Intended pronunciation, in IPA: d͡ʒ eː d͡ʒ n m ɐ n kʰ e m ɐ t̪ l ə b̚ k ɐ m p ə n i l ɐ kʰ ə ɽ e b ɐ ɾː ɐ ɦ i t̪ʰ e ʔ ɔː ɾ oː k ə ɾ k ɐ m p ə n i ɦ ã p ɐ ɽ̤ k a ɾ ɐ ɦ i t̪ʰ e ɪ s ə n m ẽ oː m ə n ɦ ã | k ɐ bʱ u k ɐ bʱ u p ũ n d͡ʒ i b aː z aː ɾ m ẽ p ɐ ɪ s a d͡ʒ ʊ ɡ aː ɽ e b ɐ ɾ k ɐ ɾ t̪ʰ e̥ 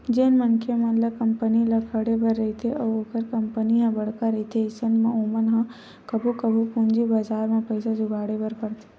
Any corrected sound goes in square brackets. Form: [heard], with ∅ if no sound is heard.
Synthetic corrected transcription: d͡ʒ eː [∅] n m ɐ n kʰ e m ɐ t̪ l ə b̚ k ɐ m p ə n i l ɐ kʰ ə ɽ e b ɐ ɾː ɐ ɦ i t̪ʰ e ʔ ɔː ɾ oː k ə ɾ k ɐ m p ə n i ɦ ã [b] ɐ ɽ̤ k a ɾ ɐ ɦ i t̪ʰ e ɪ s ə n m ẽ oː m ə n ɦ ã | k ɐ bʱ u k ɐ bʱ u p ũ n d͡ʒ i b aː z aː ɾ m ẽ p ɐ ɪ s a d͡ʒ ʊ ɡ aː ɽ e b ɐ ɾ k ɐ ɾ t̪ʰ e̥